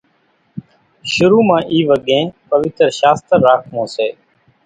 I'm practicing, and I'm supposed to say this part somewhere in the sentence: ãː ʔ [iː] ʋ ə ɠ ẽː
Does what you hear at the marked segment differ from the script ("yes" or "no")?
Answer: no